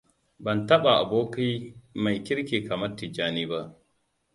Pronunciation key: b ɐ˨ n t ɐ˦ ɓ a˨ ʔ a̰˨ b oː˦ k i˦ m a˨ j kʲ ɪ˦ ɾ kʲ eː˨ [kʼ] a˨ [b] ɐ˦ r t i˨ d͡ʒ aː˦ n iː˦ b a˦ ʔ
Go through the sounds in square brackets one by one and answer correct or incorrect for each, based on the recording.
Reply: incorrect: k, incorrect: m

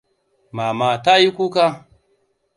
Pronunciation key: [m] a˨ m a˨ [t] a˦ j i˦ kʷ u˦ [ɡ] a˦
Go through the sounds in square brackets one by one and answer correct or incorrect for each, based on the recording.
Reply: correct, correct, incorrect: k

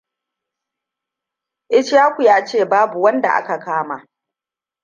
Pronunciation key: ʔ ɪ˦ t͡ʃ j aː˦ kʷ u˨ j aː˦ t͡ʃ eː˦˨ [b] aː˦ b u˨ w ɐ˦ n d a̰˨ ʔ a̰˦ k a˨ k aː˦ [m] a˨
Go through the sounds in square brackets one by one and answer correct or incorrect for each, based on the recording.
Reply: correct, correct

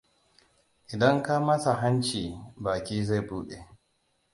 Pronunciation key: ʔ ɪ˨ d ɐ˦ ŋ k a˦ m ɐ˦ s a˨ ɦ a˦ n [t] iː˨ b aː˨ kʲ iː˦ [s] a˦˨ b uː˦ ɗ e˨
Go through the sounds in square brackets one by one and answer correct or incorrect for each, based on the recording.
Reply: incorrect: t͡ʃ, incorrect: z

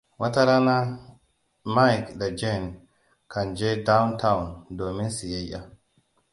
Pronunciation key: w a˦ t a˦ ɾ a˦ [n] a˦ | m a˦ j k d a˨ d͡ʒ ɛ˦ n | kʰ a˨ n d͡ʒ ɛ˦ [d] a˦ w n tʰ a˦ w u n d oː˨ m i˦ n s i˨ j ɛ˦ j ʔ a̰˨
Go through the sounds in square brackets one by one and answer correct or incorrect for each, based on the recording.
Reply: correct, correct

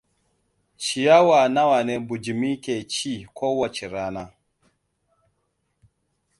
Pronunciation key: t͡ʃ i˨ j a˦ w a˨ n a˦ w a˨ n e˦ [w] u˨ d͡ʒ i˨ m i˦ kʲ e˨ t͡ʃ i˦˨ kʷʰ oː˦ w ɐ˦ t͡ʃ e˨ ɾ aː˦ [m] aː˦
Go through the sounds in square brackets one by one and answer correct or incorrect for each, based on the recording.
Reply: incorrect: b, incorrect: n

